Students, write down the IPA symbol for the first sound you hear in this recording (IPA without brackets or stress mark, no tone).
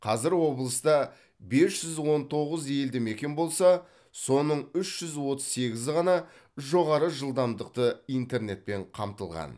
qʰ